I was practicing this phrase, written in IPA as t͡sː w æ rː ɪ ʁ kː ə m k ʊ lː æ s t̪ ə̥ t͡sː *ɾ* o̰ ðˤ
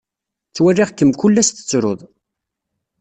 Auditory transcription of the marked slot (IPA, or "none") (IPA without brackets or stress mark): ɾ